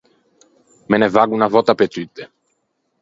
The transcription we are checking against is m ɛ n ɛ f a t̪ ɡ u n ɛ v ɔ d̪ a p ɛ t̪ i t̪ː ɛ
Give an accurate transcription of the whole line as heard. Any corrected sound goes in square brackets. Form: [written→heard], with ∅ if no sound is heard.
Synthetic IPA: m ɛ n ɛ [f→v] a [t̪→∅] ɡ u n [ɛ→a] v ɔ [d̪→t̪] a p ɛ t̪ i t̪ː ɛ